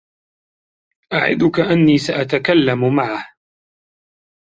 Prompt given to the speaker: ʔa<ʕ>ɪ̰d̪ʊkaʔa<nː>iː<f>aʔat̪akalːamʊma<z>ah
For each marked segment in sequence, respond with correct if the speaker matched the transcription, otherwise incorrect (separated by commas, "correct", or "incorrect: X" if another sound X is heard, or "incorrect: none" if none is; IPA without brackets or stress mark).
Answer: correct, correct, incorrect: s, incorrect: ʕ